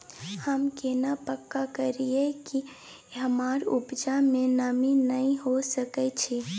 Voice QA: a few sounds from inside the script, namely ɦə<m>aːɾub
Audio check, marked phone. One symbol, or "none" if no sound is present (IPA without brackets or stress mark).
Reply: m